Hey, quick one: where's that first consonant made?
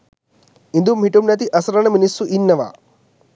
tongue tip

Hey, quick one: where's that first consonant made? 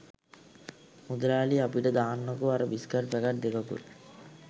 lips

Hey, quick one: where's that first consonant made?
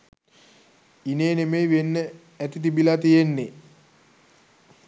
tongue tip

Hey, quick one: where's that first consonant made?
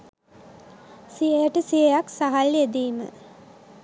tongue tip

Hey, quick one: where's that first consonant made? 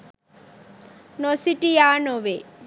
tongue tip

